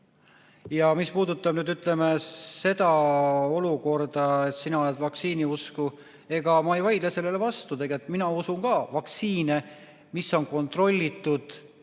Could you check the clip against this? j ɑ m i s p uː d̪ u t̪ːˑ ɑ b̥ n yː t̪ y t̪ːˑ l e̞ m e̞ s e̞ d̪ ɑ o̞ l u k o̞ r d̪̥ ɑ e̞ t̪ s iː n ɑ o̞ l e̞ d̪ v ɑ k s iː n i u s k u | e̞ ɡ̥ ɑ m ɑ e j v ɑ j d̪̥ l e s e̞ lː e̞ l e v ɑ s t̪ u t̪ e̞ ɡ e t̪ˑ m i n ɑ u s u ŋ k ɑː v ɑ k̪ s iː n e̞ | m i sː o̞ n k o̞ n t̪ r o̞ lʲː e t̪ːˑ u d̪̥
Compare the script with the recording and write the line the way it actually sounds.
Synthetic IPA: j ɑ m i s p uː d̪ u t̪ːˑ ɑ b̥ n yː d̪ y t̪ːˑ l e̞ m e̞ s e̞ d̪ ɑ o̞ l u k o̞ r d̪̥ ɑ e̞ t̪ s i n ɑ o̞ l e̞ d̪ v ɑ k s iː n i u s k u | e̞ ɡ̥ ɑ m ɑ e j v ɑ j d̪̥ l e s e̞ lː e̞ l e v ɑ s t̪ u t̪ e̞ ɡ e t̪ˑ m i n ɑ u s u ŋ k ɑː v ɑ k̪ s iː n e̞ | m i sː o̞ n k o̞ n t̪ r o̞ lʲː i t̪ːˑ u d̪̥